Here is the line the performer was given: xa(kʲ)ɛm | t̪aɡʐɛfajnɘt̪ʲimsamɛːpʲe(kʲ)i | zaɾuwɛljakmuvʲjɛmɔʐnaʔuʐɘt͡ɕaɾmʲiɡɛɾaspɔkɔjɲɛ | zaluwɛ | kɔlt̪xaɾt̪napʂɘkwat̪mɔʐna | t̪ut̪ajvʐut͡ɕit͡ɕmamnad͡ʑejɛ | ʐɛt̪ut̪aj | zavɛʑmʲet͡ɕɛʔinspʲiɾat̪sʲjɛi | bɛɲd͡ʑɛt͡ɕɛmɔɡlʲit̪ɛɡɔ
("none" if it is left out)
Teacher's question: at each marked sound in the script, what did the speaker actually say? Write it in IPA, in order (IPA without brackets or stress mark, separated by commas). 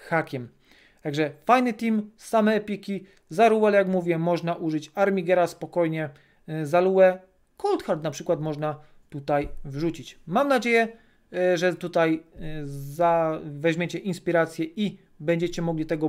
kʲ, kʲ